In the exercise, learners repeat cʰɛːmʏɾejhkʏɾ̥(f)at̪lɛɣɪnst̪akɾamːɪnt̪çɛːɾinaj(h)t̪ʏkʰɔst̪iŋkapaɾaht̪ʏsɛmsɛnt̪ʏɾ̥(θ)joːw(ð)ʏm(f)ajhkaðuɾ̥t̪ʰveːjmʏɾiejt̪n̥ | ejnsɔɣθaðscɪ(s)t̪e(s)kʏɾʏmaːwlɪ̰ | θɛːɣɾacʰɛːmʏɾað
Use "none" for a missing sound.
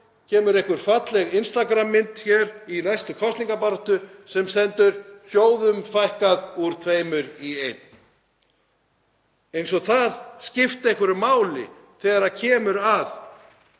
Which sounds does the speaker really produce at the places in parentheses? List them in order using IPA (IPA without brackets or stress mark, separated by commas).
f, s, s, ð, f, f, h